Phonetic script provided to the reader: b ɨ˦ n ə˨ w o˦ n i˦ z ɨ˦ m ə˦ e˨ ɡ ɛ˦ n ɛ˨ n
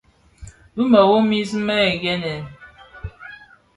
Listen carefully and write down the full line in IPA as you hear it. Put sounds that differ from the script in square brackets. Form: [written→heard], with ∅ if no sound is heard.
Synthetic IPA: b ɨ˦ [n→m] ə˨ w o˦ [n→m] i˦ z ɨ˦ m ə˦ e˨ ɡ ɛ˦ n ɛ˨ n